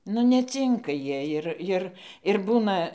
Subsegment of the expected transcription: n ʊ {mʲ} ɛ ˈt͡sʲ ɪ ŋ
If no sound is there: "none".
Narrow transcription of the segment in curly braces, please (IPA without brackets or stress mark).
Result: nʲ